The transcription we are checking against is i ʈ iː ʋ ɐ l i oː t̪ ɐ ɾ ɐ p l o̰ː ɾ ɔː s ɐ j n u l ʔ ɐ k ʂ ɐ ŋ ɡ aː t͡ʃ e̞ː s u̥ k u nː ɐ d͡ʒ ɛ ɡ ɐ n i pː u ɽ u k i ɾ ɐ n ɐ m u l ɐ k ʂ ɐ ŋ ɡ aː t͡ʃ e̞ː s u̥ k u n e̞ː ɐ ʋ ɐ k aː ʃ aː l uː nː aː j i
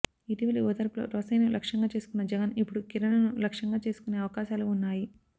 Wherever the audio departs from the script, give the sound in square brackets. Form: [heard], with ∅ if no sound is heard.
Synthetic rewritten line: i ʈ [i] ʋ ɐ l i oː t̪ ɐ ɾ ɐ p l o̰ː ɾ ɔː s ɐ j n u l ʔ ɐ k ʂ ɐ ŋ ɡ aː t͡ʃ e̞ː s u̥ k u nː ɐ d͡ʒ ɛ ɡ ɐ n i pː u ɽ u k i ɾ ɐ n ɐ [n] u l ɐ k ʂ ɐ ŋ ɡ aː t͡ʃ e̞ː s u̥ k u n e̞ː ɐ ʋ ɐ k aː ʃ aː l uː nː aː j i